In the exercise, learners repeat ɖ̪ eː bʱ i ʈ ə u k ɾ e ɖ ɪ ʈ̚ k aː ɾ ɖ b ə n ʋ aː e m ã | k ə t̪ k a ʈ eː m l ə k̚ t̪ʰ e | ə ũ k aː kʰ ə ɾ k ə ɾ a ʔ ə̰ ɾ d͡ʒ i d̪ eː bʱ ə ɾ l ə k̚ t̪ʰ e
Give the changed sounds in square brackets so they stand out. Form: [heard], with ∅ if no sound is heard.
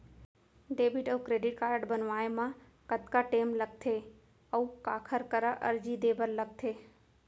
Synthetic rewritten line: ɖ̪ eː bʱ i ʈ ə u k ɾ e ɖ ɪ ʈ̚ k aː ɾ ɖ b ə n ʋ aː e m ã | k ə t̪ k a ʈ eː m l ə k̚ t̪ʰ e | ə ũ k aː kʰ ə ɾ k ə ɾ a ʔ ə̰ ɾ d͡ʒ i d̪ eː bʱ ə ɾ l ə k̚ t̪ʰ e